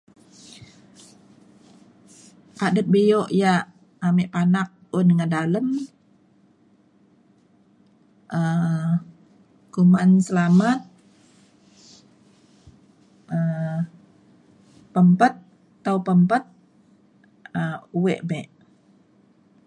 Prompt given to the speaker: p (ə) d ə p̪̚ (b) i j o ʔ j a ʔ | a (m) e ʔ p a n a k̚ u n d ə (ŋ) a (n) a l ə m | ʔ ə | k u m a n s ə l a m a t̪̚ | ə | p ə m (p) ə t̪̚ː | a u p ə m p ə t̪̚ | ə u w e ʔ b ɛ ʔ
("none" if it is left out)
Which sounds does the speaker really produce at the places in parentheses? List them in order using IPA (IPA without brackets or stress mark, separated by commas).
a, b, m, ŋ, d, p